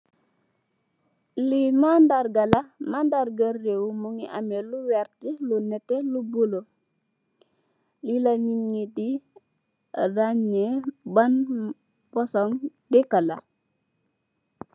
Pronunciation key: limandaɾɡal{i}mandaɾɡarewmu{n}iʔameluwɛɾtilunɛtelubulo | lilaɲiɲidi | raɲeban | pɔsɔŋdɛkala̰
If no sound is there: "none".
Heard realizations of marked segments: a, ŋ

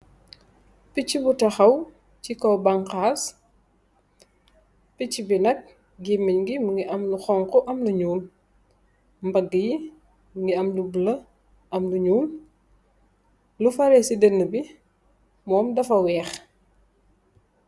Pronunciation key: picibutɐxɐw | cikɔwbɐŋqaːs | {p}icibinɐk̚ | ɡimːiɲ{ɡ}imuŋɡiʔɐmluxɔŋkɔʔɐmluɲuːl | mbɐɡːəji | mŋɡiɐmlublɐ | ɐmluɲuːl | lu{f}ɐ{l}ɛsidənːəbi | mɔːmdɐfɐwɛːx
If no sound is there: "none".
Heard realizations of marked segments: p, ɡ, f, ɾ

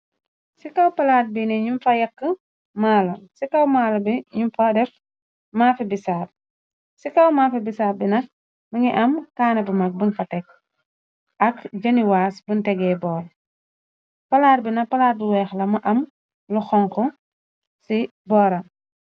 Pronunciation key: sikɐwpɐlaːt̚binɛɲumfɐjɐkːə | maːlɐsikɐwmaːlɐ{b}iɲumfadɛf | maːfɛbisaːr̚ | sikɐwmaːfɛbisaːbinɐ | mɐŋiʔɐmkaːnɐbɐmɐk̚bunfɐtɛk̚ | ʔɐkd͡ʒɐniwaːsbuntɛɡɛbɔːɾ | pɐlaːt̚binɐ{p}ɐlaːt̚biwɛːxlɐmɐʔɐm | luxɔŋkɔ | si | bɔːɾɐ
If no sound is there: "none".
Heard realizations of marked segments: b, p

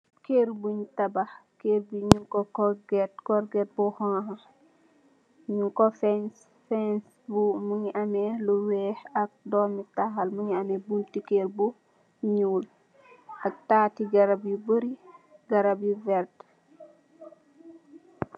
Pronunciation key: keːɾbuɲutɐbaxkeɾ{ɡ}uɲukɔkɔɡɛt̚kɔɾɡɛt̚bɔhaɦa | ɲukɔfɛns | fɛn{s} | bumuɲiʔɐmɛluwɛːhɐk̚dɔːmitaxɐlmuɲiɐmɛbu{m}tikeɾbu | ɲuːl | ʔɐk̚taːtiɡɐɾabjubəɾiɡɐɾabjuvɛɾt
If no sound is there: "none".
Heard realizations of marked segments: b, s, n

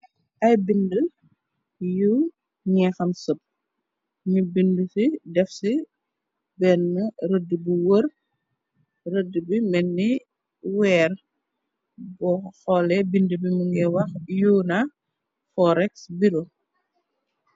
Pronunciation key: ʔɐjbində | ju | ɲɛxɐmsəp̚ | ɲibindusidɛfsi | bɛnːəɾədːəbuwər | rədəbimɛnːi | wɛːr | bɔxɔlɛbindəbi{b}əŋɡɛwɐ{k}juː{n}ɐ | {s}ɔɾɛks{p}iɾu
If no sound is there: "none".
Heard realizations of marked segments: m, x, n, f, b

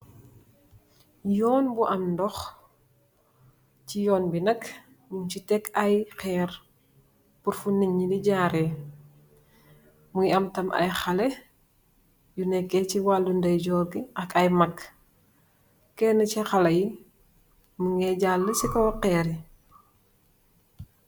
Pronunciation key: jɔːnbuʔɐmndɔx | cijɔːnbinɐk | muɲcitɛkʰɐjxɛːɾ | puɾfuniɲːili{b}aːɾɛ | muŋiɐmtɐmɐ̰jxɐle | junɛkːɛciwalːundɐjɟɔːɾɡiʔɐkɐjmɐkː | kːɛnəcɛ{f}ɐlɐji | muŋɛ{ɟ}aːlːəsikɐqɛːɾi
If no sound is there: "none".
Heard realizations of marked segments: ɟ, x, ɟ

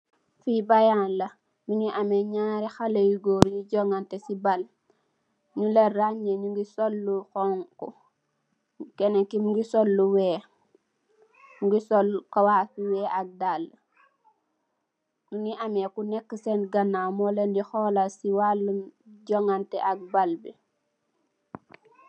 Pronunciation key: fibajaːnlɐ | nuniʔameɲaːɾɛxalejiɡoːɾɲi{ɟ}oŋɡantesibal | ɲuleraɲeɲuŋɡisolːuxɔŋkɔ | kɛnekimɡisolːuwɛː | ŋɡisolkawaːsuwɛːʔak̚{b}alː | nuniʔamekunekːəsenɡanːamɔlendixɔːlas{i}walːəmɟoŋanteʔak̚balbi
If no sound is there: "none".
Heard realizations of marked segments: ɟ, d, i

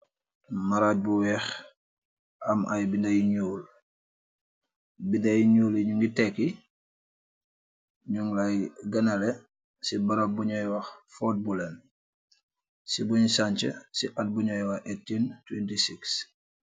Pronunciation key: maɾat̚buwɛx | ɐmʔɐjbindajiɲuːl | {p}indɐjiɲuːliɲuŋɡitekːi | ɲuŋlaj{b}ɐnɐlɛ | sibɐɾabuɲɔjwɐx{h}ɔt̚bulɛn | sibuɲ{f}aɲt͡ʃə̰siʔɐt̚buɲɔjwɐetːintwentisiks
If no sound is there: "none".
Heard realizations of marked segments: b, ɡ, f, s

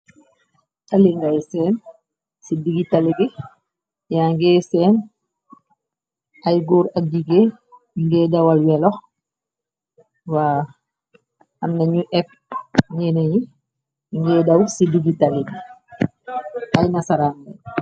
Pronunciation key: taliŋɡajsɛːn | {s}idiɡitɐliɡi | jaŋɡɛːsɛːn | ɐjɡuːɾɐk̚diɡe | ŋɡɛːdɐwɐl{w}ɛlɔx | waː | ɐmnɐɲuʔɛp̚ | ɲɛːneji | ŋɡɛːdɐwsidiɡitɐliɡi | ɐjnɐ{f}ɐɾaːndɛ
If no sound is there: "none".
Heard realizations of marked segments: s, w, s

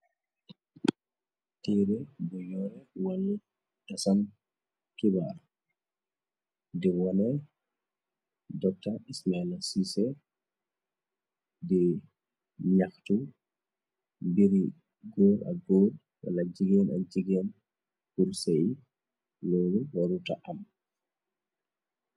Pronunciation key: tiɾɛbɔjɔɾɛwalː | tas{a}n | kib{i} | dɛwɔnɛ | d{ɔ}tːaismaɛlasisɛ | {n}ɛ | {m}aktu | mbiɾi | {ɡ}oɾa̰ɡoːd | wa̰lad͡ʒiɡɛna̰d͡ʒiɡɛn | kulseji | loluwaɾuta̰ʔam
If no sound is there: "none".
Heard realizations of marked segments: a, a, ɔ, d, ɲ, ɡ

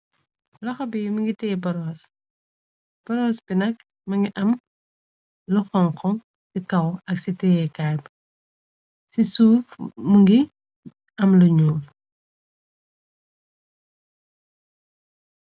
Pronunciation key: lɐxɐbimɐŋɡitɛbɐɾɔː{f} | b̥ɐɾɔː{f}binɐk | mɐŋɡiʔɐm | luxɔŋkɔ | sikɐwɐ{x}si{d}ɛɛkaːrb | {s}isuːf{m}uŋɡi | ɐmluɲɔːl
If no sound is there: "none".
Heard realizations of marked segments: s, s, k, t, s, m

